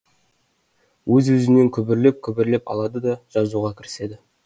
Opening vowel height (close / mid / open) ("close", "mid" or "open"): mid